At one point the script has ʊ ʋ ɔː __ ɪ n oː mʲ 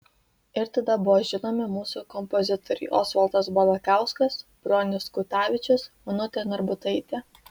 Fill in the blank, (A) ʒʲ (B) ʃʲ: A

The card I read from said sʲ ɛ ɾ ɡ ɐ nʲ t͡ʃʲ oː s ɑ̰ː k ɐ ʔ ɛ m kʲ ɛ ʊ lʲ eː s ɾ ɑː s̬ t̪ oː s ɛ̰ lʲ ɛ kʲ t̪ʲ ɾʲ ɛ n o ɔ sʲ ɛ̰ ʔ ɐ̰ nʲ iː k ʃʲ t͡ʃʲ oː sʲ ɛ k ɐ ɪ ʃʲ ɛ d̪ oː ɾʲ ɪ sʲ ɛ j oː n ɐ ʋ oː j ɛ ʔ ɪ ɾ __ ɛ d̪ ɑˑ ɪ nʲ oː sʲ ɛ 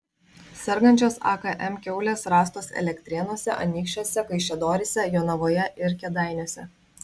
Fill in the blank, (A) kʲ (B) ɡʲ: A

